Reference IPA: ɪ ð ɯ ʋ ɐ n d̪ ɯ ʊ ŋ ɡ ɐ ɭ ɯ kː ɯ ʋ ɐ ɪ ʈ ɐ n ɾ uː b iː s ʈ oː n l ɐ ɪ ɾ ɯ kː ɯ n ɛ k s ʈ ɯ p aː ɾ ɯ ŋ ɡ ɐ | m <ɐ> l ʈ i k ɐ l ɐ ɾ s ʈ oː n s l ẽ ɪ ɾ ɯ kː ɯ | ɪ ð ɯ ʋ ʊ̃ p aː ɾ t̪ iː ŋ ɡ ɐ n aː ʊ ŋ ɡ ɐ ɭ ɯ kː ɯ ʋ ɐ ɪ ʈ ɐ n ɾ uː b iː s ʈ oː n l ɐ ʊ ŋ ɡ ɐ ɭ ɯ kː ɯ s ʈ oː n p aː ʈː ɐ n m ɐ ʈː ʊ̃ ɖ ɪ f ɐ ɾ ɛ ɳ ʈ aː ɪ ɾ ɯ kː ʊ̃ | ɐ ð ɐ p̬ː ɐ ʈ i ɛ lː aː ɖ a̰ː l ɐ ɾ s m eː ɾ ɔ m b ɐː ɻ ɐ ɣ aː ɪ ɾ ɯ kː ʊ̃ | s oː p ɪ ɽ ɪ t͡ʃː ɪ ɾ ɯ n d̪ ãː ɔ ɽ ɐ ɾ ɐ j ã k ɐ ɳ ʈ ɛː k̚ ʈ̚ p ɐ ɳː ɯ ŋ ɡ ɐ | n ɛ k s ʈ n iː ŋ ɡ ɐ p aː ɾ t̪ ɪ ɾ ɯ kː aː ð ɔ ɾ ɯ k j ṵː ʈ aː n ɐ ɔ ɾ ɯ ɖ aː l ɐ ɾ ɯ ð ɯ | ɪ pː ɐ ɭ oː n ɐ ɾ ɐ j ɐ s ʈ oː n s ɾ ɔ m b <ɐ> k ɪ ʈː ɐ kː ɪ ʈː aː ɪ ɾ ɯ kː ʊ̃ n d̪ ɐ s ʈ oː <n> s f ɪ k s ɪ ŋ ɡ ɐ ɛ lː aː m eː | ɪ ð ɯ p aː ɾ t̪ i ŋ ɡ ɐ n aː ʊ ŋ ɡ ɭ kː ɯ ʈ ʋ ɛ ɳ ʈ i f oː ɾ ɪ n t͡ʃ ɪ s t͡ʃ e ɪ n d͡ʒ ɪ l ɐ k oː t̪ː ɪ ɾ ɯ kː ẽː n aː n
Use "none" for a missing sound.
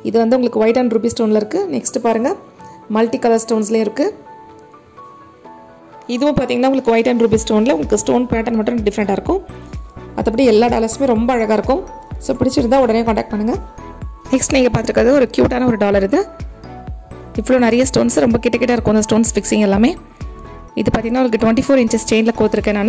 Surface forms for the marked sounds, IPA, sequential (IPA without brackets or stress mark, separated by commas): ɐ, ɐ, n